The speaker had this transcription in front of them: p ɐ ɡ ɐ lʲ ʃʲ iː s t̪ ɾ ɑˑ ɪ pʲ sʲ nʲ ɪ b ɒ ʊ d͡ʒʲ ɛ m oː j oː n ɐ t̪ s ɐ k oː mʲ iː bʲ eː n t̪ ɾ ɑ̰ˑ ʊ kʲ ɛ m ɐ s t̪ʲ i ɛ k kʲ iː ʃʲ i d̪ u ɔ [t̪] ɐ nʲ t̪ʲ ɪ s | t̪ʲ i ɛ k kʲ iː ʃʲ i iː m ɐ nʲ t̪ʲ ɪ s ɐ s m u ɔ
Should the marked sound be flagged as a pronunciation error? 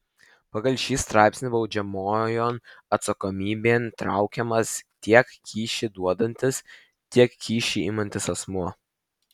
yes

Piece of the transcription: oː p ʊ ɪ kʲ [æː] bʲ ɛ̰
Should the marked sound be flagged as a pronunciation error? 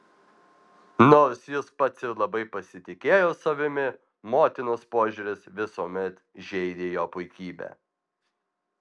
yes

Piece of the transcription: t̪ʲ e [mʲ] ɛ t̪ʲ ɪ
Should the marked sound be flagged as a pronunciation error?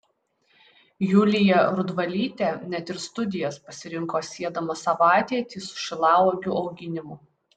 yes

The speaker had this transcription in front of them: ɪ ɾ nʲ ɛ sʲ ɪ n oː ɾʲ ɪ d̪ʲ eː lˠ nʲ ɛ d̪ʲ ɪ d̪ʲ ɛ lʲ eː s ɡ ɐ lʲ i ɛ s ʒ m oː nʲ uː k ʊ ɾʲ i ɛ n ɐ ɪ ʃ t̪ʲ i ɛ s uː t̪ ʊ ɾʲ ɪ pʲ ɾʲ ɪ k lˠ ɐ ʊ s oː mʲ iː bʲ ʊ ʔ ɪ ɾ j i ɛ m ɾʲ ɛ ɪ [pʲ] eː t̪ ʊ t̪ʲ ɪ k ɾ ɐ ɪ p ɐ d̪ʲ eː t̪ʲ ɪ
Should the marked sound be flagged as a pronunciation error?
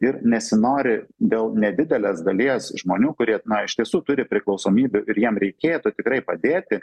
yes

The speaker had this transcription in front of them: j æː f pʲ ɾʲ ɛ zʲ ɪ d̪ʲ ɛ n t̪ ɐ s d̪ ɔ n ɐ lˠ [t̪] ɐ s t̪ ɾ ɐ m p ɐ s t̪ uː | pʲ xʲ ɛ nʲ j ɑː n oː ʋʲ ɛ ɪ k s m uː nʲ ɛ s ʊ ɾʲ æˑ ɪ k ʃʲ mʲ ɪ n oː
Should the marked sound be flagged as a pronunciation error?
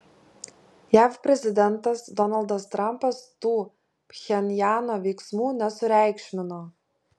yes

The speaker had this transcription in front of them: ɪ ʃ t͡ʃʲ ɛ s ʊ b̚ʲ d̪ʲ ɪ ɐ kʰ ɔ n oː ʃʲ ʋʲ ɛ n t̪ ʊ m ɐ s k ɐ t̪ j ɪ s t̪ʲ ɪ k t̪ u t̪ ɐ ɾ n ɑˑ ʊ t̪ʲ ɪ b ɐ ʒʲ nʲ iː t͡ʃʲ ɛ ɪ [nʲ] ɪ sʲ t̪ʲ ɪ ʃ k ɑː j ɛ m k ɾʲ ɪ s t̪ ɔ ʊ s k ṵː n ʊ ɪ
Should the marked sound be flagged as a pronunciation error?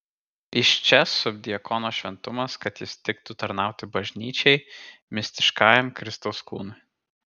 yes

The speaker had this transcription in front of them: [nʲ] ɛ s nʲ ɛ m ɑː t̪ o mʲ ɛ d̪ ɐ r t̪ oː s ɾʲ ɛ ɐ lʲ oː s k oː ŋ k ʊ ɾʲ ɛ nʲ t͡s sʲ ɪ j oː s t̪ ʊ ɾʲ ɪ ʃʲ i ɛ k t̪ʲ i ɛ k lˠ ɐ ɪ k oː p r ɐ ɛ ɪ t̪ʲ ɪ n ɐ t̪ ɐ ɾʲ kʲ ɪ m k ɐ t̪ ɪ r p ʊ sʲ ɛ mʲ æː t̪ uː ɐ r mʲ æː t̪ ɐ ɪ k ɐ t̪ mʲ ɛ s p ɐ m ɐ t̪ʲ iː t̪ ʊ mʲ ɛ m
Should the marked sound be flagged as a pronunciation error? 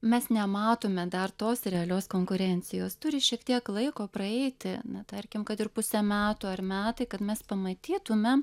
yes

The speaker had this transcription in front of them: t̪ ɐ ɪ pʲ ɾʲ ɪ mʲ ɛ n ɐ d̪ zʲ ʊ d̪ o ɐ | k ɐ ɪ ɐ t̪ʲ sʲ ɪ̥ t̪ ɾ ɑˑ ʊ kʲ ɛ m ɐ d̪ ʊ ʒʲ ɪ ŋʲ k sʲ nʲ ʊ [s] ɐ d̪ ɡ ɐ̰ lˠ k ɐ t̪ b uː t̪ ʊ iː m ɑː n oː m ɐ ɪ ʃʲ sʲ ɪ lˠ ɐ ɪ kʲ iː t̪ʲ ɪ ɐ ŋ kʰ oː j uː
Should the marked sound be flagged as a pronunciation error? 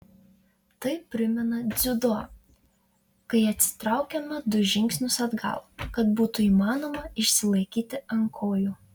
no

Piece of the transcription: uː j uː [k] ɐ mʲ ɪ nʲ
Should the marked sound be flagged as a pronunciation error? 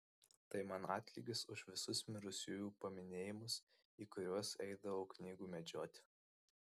yes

